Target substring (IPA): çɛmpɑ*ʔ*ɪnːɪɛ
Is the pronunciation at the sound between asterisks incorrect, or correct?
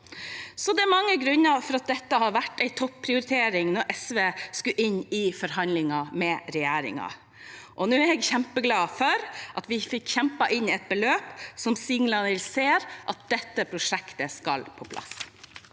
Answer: correct